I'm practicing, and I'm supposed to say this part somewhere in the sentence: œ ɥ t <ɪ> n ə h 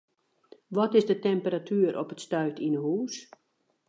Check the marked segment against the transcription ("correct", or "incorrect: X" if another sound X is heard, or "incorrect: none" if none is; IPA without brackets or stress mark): incorrect: i